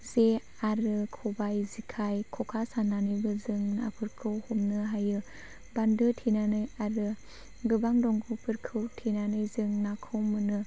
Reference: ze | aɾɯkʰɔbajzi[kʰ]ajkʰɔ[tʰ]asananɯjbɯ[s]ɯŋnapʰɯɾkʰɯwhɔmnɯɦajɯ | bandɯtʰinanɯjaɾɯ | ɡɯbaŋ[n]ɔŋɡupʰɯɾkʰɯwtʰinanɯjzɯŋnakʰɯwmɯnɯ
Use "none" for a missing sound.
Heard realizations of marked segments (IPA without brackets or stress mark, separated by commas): kʰ, kʰ, z, d